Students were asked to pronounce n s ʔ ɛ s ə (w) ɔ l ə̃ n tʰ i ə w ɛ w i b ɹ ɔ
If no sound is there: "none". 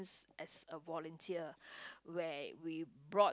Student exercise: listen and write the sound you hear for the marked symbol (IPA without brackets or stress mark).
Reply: v